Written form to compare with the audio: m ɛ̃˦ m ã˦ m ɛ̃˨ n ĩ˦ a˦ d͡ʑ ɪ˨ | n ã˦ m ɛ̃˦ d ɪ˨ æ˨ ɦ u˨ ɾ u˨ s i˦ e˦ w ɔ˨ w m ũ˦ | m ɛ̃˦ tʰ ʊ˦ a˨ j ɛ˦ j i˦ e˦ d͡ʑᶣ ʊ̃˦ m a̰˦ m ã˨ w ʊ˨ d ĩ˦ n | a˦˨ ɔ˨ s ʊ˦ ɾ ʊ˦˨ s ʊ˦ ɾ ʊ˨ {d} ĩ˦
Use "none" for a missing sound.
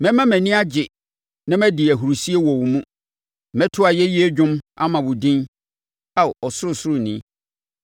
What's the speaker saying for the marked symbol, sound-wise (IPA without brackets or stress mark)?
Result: n